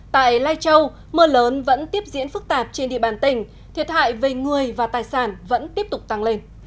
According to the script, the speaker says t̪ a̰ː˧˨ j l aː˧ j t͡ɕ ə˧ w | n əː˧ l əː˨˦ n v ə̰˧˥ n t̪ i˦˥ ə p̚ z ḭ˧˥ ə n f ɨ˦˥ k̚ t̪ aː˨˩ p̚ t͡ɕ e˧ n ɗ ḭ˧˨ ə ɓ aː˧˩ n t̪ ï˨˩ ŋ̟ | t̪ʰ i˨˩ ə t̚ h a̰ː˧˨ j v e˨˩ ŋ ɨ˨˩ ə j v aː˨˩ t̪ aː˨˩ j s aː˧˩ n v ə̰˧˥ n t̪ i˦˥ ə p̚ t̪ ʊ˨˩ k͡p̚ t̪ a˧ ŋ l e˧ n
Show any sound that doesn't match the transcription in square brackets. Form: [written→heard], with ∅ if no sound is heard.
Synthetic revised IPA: t̪ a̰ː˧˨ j l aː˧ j t͡ɕ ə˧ w | [n→m] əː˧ l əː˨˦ n v ə̰˧˥ n t̪ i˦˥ ə p̚ z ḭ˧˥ ə n f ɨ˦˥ k̚ t̪ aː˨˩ p̚ t͡ɕ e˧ n ɗ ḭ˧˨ ə ɓ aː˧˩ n t̪ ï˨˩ ŋ̟ | t̪ʰ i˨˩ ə t̚ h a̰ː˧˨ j v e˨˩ ŋ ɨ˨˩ ə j v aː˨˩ t̪ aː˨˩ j s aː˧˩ n v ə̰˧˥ n t̪ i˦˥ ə p̚ t̪ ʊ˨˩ k͡p̚ t̪ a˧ ŋ l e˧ n